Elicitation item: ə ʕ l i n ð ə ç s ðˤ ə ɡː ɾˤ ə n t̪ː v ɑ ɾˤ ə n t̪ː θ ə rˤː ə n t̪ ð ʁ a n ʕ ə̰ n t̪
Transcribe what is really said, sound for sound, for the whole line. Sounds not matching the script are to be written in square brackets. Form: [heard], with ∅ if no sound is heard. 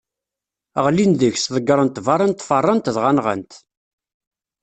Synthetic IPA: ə [ʁ] l i n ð ə ç s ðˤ ə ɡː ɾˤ ə n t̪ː v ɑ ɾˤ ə n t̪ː [f] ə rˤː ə n t̪ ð ʁ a n [ʁ] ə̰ n t̪